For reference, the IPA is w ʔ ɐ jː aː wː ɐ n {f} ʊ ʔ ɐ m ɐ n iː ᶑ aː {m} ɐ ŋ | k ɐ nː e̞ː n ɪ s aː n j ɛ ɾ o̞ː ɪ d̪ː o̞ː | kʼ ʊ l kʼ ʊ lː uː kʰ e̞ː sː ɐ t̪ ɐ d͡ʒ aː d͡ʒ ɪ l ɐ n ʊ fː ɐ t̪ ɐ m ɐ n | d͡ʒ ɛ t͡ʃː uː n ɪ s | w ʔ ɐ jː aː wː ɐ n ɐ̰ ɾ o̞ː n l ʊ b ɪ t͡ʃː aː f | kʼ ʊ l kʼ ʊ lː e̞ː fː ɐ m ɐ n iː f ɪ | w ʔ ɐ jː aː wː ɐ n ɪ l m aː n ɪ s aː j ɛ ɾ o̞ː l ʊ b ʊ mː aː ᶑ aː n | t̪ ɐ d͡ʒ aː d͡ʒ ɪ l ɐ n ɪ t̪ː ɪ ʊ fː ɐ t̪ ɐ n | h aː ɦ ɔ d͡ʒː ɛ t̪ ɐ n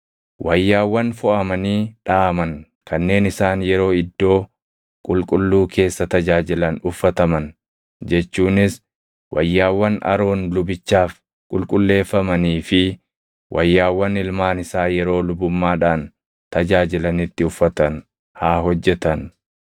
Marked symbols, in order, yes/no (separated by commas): yes, yes